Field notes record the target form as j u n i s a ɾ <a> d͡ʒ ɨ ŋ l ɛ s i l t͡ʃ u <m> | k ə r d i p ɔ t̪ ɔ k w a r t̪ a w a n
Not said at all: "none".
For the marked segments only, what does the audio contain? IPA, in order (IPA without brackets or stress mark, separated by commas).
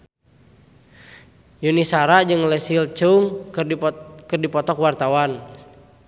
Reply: a, ŋ